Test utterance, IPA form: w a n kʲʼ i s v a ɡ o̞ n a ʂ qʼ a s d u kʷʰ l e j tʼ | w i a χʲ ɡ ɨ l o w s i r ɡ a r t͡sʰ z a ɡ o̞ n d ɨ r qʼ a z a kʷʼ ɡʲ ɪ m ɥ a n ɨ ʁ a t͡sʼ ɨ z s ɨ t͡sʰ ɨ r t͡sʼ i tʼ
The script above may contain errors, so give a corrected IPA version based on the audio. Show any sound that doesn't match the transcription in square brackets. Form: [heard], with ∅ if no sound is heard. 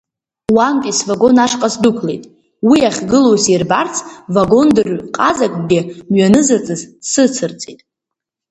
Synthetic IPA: w a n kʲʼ i s v a ɡ o̞ n a ʂ qʼ a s d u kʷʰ l e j tʼ | w i a χʲ ɡ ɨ l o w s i r [b] a r t͡sʰ [v] a ɡ o̞ n d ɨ r qʼ a z a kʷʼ ɡʲ ɪ m ɥ a n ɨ [z] a t͡sʼ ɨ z s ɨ t͡sʰ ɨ r t͡sʼ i tʼ